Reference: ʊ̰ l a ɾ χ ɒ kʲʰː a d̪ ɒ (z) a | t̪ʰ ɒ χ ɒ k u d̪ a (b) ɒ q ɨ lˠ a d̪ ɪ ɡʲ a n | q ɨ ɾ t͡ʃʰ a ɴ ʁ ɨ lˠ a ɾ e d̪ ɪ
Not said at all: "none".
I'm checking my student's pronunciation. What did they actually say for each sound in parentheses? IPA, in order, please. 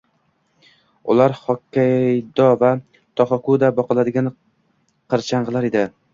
v, b

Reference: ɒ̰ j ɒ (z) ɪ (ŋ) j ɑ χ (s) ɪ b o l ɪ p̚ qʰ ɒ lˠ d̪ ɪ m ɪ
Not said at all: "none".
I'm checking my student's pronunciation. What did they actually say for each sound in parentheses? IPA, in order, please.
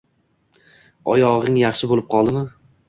ʁ, ŋ, ʃ

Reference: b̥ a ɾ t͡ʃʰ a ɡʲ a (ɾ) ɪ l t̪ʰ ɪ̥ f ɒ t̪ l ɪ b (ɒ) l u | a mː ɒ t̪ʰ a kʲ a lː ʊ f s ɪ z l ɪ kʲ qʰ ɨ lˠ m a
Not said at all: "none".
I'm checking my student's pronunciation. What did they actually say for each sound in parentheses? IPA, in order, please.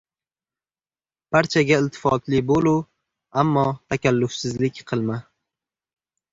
none, o

